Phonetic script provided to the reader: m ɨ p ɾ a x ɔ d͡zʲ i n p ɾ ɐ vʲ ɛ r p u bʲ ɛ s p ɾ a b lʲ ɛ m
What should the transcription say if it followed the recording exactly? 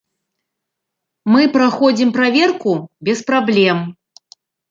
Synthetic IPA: m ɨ p ɾ a x ɔ d͡zʲ i m p ɾ a vʲ ɛ r k u bʲ ɛ s p ɾ a b lʲ ɛ m